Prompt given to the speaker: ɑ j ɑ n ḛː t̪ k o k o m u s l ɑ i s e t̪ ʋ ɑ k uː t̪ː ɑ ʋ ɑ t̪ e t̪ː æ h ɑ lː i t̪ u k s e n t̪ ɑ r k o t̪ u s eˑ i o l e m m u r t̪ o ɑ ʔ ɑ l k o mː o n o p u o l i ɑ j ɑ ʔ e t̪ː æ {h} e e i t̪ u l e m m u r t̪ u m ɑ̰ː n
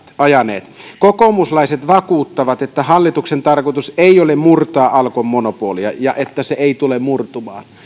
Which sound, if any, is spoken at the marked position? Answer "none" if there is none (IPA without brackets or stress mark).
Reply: s